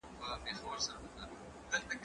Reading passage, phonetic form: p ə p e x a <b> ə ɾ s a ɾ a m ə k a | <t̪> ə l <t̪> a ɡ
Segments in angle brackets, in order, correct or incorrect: incorrect, incorrect, correct

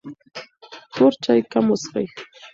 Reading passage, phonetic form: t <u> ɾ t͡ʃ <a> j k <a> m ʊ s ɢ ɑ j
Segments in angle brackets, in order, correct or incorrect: incorrect, correct, correct

